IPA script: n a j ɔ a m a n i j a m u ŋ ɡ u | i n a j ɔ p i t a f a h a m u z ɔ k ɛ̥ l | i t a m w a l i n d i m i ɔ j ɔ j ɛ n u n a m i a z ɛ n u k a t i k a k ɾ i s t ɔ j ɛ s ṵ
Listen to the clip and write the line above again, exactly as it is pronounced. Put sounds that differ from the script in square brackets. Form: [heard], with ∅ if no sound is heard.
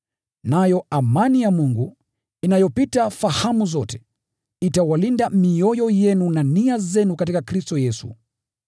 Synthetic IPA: n a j ɔ a m a n i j a m u ŋ ɡ u | i n a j ɔ p i t a f a h a m u z ɔ [t] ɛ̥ [∅] | i t a [∅] w a l i n d [a] m i ɔ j ɔ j ɛ n u n a [n] i a z ɛ n u k a t i k a k ɾ i s t ɔ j ɛ s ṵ